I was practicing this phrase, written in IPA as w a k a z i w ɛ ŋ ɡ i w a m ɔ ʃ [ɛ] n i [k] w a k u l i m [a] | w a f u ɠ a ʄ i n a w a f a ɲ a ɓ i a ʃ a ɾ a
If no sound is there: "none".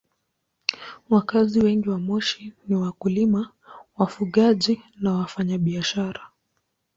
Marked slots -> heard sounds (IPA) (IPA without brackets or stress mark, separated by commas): i, none, a